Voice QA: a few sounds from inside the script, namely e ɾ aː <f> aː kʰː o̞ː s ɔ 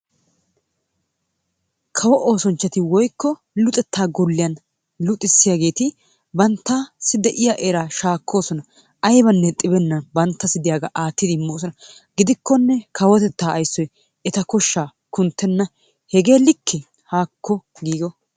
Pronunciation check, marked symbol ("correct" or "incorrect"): incorrect